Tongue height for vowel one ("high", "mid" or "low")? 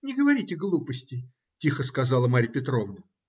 high